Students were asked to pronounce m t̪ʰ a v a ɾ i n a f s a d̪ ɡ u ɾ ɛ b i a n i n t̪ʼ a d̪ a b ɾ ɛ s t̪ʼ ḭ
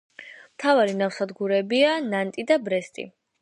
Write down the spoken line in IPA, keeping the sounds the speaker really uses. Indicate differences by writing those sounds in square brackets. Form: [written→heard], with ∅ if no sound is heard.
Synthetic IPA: m t̪ʰ a v a ɾ i n a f s a d̪ ɡ u ɾ ɛ b i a n [i→a] n t̪ʼ [a→i] d̪ a b ɾ ɛ s t̪ʼ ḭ